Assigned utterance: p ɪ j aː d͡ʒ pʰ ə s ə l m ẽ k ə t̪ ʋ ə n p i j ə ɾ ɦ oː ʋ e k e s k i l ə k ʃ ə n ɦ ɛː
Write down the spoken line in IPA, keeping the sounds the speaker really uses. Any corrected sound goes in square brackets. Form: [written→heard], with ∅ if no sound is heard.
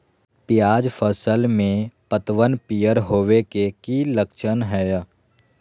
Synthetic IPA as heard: p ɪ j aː d͡ʒ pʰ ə s ə l m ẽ [k→p] ə t̪ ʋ ə n p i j ə ɾ ɦ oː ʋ e k e [s→∅] k i l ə k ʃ ə n ɦ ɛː